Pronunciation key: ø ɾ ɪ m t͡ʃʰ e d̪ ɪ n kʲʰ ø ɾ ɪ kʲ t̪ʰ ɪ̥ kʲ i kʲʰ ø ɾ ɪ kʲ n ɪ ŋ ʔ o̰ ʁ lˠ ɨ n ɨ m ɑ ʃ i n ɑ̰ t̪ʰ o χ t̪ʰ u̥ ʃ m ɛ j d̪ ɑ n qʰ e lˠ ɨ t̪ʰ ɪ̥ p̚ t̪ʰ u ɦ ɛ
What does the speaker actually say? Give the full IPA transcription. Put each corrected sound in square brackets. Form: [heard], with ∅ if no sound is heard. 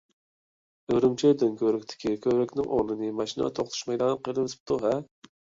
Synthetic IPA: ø ɾ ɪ m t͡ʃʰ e d̪ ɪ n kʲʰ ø ɾ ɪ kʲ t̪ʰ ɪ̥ kʲ i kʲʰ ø ɾ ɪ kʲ n ɪ ŋ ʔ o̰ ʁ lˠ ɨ n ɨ m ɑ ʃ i n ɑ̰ t̪ʰ o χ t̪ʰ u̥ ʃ m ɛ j d̪ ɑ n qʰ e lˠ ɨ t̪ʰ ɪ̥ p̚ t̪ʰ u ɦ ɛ